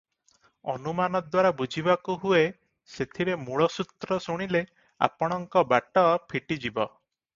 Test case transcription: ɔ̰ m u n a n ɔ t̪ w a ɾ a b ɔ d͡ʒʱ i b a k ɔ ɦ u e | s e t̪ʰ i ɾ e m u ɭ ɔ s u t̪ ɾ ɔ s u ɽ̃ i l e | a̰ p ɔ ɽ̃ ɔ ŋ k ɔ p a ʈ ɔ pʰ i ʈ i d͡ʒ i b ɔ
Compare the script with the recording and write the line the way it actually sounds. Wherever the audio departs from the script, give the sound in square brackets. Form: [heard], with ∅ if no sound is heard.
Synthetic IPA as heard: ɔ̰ [n] u [m] a n ɔ [d̪] w a ɾ a b [u] d͡ʒʱ i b a k [u] ɦ u e | s e t̪ʰ i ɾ e m u ɭ ɔ s u t̪ ɾ ɔ s u ɽ̃ i l e | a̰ p ɔ ɽ̃ ɔ ŋ k ɔ [b] a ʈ ɔ pʰ i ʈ i d͡ʒ i b ɔ